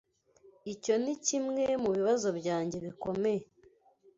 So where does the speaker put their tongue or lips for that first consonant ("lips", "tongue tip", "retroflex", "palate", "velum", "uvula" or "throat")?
palate